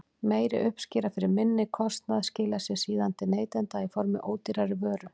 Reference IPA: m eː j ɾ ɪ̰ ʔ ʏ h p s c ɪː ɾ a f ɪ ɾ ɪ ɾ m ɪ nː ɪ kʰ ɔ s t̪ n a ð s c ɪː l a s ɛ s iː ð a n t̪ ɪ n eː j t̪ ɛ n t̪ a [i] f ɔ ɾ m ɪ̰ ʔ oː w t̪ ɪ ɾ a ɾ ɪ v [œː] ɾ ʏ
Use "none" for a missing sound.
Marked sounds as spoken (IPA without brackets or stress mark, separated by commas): i, œː